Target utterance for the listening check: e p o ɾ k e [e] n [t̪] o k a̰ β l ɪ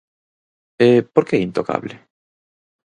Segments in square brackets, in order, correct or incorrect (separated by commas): incorrect, correct